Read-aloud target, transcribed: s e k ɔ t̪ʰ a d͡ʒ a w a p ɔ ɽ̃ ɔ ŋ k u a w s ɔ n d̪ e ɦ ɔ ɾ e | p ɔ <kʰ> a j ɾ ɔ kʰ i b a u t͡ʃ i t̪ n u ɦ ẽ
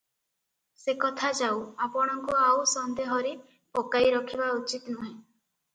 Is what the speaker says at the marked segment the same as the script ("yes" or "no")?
no